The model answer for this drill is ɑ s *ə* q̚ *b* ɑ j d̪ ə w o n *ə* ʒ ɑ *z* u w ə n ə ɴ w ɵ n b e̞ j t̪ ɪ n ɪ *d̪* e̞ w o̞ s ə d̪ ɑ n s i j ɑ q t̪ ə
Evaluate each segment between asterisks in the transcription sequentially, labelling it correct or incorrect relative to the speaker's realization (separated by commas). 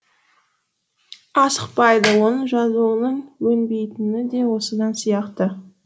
correct, incorrect, correct, correct, correct